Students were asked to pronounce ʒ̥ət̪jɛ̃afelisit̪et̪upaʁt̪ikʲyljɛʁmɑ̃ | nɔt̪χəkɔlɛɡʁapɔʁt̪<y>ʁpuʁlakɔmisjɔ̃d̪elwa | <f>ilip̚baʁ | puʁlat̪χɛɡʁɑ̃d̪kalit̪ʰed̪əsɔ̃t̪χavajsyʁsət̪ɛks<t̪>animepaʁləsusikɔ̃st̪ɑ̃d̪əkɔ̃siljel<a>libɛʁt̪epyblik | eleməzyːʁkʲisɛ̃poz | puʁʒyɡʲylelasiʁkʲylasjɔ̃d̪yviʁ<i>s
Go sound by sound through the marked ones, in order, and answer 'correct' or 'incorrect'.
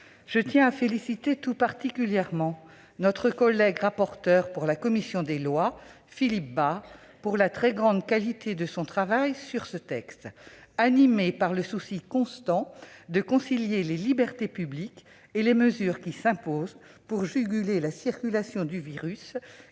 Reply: incorrect: œ, correct, correct, incorrect: e, incorrect: y

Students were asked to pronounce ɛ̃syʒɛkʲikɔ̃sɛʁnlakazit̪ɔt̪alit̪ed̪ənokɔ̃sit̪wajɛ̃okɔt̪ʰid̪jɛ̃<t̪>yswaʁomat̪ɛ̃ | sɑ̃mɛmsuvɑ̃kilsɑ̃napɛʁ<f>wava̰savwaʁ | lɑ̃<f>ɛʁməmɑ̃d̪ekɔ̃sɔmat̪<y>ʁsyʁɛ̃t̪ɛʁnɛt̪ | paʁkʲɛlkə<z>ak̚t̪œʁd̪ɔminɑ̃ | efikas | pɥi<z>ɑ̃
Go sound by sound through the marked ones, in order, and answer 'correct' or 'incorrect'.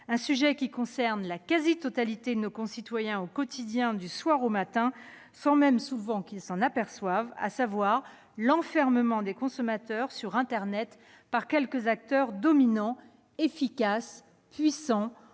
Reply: incorrect: d̪, incorrect: s, correct, incorrect: œ, correct, incorrect: s

